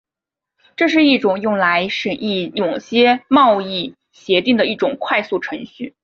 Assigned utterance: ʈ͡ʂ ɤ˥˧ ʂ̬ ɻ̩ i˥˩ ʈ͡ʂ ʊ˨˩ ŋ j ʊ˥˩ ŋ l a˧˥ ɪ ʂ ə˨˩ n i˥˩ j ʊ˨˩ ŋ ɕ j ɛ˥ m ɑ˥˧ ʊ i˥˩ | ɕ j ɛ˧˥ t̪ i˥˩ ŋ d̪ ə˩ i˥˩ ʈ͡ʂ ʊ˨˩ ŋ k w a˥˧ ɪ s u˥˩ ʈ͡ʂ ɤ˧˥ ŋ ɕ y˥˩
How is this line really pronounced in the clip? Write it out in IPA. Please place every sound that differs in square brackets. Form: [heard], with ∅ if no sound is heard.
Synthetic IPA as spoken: ʈ͡ʂ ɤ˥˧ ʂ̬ ɻ̩ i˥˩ ʈ͡ʂ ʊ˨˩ ŋ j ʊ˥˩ ŋ l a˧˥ ɪ ʂ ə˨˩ n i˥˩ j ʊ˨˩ ŋ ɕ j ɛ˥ m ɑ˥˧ ʊ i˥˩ | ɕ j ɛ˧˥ t̪ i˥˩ ŋ d̪ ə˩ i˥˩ ʈ͡ʂ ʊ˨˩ ŋ [kʰ] w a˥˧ ɪ s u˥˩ [ʈ͡ʂʰ] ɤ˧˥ ŋ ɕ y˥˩